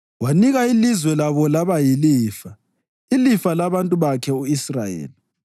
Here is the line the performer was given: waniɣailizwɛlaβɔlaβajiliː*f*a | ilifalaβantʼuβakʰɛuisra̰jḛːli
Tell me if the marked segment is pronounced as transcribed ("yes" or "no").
yes